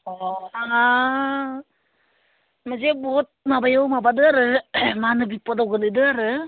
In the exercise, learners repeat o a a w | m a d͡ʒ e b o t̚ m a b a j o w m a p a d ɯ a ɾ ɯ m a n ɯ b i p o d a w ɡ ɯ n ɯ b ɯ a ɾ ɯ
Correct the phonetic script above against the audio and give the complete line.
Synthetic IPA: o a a | m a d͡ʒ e b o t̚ m a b a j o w m a b a d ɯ a ɾ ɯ m a n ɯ b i p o d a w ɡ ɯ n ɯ d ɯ a ɾ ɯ